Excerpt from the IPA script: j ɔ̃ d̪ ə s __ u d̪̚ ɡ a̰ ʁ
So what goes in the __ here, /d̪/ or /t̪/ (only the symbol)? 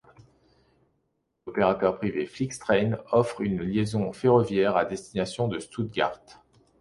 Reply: t̪